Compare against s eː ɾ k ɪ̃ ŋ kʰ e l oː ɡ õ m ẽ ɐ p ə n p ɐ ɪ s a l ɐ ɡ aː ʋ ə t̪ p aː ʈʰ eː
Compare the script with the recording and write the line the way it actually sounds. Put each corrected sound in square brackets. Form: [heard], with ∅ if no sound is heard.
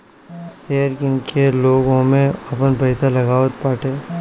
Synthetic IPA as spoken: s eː ɾ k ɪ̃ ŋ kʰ e l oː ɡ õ m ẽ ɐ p ə n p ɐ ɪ s a l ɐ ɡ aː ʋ ə t̪ p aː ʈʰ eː